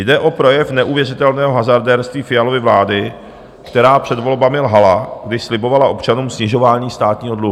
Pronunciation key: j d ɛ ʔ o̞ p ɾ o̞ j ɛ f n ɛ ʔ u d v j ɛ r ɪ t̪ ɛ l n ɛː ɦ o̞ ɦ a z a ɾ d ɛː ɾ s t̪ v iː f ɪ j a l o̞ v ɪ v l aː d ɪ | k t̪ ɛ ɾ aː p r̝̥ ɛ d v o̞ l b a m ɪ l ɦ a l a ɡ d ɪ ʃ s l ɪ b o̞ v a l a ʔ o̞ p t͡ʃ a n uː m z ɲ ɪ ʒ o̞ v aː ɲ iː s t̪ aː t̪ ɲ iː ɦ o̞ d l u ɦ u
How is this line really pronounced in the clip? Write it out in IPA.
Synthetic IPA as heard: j d ɛ ʔ o̞ p ɾ o̞ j ɛ f n ɛ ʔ u v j ɛ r ɪ t̪ ɛ l n ɛː ɦ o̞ ɦ a z a ɾ d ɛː ɾ s t̪ v iː f ɪ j a l o̞ v ɪ v l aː d ɪ | k t̪ ɛ ɾ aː p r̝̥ ɛ d v o̞ l b a m ɪ l ɦ a l a ɡ d ɪ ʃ s l ɪ b o̞ v a l a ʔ o̞ p t͡ʃ a n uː m s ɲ ɪ ʒ o̞ v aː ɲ iː s t̪ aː t̪ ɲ iː ɦ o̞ d l u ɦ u